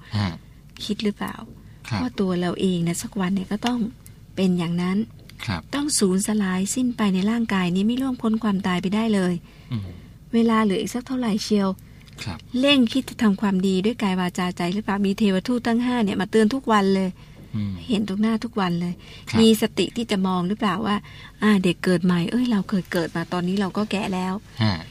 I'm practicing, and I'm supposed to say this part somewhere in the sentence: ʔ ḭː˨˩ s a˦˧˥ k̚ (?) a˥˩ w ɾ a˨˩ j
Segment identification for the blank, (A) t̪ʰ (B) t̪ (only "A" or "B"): A